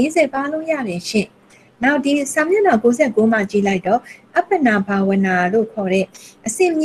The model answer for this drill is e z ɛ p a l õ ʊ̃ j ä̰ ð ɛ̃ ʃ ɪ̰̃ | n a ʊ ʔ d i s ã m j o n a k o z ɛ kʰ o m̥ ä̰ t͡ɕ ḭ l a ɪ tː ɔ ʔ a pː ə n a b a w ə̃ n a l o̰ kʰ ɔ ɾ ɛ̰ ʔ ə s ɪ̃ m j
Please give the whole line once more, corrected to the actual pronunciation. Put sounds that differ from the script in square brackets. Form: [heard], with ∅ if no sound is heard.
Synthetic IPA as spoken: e z ɛ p a l õ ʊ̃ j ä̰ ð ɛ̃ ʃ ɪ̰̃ | n a ʊ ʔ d i s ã m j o n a k o z ɛ [k] o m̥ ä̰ t͡ɕ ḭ l a ɪ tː ɔ ʔ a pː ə n a b a w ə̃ n a l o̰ kʰ ɔ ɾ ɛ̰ ʔ ə s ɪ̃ m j